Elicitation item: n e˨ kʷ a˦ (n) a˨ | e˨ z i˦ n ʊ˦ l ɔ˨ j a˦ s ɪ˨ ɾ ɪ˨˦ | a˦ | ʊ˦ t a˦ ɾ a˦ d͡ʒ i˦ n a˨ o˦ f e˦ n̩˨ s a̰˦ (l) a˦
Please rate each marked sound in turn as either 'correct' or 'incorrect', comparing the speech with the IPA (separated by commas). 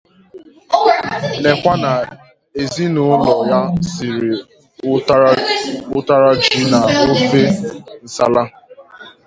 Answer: correct, correct